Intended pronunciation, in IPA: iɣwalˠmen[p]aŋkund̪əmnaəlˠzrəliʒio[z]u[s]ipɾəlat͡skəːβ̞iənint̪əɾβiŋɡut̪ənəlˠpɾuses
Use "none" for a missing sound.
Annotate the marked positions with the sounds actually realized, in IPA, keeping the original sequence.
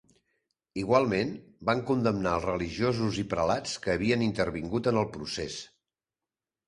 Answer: b, z, z

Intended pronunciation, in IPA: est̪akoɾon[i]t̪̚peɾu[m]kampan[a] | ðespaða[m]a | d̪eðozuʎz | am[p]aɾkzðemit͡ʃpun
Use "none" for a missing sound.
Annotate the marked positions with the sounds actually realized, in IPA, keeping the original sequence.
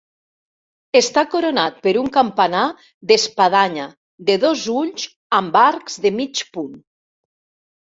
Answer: a, ŋ, a, ɲ, b

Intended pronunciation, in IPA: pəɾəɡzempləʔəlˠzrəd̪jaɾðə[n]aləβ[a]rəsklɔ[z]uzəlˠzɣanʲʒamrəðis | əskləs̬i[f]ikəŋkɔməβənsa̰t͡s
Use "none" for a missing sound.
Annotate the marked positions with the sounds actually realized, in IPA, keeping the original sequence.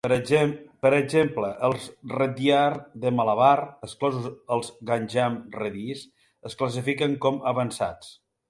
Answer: m, a, z, f

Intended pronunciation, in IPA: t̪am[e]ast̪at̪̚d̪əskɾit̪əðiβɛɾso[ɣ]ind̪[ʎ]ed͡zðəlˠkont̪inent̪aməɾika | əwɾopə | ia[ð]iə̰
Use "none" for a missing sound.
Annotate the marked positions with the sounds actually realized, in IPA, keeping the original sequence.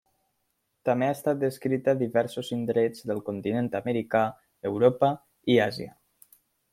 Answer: e, z, ɾ, z

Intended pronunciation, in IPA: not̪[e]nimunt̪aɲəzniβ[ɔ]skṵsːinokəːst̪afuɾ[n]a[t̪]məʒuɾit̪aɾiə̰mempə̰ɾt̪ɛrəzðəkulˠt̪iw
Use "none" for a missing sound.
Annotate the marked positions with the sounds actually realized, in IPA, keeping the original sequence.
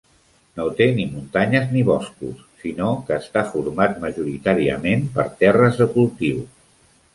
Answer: e, ɔ, m, t̪

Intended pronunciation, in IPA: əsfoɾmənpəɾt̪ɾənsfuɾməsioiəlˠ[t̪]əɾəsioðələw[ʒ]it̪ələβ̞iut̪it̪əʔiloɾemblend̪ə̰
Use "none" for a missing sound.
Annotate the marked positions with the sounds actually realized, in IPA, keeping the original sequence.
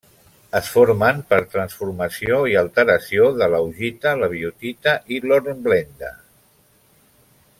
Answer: t̪, ʒ

